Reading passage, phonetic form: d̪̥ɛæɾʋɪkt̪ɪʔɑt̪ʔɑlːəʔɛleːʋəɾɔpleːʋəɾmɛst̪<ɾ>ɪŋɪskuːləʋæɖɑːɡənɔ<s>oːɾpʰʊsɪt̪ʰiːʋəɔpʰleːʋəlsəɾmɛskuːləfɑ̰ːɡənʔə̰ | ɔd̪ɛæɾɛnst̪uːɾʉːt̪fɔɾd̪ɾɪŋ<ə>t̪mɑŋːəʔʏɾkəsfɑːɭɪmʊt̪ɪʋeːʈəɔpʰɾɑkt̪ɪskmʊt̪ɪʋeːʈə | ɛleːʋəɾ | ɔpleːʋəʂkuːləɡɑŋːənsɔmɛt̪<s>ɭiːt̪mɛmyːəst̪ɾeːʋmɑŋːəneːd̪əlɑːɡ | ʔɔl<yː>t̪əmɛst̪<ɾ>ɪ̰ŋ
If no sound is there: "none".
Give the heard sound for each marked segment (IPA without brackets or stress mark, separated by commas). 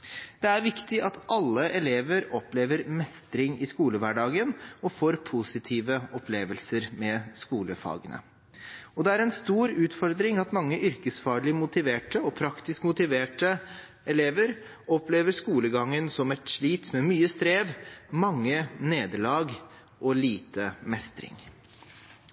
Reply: ɾ, f, ɑ, ʂ, iː, ɾ